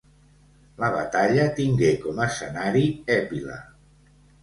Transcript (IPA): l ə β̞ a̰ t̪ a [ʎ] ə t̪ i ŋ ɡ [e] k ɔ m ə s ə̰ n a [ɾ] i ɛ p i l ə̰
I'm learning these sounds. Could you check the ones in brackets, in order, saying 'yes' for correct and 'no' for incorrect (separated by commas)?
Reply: yes, yes, yes